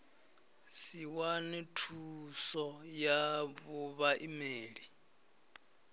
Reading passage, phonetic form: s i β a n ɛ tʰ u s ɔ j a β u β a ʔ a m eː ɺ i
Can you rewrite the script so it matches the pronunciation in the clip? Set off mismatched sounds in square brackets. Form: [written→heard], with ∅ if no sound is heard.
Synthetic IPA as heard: s i [β→w] a n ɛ tʰ u s ɔ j a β u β a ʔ [a→i] m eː ɺ i